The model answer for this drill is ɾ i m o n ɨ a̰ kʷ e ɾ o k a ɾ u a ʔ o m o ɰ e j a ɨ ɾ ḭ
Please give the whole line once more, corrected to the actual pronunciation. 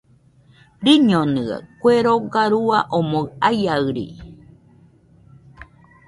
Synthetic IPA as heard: ɾ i ɲ o n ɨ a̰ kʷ e ɾ o ɡ a ɾ u a ʔ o m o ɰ a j a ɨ ɾ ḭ